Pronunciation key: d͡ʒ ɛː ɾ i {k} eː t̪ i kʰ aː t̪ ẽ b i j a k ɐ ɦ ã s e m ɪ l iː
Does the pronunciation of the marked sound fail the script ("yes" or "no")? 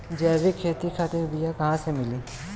yes